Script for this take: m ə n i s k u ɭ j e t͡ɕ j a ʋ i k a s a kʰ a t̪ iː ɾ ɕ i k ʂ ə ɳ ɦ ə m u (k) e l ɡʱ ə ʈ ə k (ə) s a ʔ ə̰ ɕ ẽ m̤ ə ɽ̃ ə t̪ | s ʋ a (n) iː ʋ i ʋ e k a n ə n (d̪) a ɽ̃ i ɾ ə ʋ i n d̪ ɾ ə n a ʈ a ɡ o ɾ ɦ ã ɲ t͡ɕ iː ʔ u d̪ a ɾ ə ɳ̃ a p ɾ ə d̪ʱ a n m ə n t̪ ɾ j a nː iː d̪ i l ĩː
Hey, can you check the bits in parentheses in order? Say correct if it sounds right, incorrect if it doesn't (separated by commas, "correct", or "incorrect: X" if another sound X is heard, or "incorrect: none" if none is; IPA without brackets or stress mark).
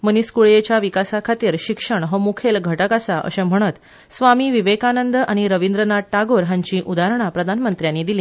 incorrect: kʰ, incorrect: a, incorrect: m, correct